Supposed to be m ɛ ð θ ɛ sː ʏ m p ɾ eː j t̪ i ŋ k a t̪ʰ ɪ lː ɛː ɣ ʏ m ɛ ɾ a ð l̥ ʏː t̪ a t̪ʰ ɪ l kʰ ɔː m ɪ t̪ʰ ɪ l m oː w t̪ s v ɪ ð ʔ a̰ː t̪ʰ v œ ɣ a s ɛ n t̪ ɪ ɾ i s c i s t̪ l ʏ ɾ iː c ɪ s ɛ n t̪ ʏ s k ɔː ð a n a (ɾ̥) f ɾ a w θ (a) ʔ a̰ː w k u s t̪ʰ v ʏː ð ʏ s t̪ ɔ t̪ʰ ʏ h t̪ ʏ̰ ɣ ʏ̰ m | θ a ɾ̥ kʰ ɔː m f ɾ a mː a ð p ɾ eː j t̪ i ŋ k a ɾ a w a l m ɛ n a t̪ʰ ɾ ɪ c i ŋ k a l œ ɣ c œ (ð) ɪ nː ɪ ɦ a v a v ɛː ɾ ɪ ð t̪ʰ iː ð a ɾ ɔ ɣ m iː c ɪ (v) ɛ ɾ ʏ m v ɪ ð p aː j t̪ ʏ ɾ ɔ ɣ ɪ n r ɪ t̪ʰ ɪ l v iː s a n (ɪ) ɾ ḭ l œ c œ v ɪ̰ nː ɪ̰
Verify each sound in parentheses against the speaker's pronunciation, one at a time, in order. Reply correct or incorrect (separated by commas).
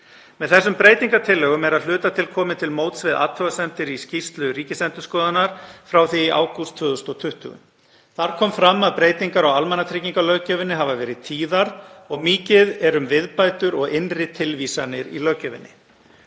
correct, incorrect, incorrect, incorrect, correct